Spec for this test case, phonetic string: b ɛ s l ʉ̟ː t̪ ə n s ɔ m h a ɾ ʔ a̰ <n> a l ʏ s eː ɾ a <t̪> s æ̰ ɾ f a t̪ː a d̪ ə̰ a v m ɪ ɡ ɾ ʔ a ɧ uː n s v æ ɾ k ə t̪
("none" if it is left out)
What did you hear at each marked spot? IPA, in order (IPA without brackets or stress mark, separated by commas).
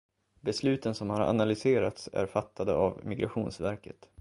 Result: n, t̪